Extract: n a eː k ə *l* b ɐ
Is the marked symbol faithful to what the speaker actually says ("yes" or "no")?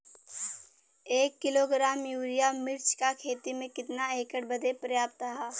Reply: no